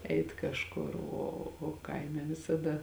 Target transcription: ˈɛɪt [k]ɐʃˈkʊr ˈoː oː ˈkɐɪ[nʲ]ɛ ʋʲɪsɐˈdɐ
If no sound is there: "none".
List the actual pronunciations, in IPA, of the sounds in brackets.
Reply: k, mʲ

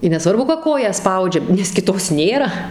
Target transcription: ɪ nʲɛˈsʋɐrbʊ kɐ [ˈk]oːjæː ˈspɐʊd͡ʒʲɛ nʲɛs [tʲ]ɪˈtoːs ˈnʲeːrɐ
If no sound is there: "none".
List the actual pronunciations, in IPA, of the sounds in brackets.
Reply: k, kʲ

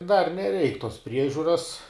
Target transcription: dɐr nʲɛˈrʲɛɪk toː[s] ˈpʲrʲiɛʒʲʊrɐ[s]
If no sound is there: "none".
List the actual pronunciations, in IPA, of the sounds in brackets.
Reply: s, s

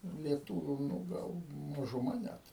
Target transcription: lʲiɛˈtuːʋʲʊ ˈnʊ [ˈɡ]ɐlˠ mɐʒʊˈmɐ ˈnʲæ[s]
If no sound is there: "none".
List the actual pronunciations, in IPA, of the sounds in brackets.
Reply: ɡ, t

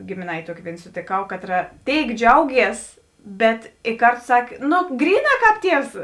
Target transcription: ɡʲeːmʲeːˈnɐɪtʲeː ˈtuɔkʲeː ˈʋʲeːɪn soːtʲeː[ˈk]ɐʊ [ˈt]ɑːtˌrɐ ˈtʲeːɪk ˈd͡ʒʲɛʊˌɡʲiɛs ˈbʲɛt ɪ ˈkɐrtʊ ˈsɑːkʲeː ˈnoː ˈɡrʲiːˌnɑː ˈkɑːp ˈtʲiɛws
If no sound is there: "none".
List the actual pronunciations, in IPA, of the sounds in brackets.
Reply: k, k

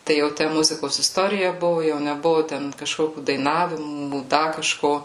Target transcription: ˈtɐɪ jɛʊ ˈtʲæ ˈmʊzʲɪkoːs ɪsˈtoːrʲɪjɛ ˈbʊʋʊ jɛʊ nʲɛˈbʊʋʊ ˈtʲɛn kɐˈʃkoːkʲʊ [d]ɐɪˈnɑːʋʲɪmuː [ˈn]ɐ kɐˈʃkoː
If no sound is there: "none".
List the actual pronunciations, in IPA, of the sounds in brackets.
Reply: d, d

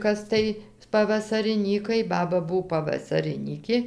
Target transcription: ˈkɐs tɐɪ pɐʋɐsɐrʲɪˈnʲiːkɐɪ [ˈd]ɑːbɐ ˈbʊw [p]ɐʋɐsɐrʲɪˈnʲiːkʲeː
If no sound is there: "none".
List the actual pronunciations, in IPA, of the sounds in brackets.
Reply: b, p

